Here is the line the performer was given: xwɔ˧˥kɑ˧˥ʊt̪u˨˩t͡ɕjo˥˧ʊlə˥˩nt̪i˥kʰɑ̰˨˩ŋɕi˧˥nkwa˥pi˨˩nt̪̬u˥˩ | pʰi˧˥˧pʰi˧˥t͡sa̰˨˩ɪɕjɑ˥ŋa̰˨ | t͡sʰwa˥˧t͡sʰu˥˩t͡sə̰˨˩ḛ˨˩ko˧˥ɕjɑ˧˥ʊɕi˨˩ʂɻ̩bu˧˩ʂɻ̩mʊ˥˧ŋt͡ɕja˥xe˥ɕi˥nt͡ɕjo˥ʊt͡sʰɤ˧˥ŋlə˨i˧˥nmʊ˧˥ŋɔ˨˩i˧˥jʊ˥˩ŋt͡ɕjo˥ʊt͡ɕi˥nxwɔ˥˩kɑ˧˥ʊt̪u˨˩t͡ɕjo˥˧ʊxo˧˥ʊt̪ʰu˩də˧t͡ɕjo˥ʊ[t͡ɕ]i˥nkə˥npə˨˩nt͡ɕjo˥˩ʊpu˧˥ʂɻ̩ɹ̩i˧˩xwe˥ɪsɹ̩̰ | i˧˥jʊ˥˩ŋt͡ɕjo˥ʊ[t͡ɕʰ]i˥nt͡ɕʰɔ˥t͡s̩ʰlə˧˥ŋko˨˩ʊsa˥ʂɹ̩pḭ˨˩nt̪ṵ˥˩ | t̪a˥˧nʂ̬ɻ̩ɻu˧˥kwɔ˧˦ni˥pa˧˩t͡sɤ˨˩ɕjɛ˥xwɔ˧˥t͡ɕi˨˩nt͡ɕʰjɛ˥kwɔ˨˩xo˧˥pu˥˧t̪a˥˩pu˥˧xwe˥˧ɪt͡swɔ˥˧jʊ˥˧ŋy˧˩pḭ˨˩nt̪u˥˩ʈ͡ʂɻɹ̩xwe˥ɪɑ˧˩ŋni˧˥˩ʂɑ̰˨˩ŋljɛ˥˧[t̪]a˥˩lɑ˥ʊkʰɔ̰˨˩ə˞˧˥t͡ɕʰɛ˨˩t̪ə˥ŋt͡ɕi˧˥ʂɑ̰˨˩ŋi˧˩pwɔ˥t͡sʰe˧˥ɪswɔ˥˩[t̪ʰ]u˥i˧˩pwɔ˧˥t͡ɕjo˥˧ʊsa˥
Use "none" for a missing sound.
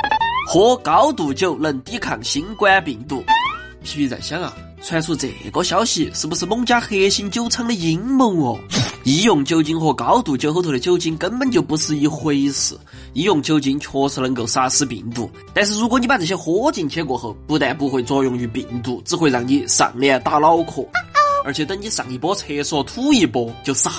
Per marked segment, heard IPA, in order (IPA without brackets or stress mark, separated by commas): t͡ɕ, t͡ɕ, t̪, t̪ʰ